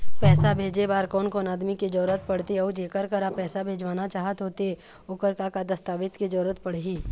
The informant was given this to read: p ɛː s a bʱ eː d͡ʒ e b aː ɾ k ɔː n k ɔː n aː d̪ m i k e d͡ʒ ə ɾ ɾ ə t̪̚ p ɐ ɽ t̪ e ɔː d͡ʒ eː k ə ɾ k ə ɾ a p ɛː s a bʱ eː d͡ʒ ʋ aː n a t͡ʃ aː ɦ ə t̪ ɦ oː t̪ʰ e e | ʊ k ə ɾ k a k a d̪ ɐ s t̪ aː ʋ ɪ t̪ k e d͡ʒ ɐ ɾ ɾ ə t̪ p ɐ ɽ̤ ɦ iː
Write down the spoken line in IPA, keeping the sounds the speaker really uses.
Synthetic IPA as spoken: p ɛː s a bʱ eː d͡ʒ e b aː ɾ k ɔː n k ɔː n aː d̪ m i k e d͡ʒ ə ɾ ɾ ə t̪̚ p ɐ ɽ t̪ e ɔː d͡ʒ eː k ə ɾ k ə ɾ a p ɛː s a bʱ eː d͡ʒ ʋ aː n a t͡ʃ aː ɦ ə t̪ ɦ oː t̪ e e | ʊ k ə ɾ k a k a d̪ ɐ s t̪ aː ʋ ɪ t̪ k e d͡ʒ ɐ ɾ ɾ ə t̪ p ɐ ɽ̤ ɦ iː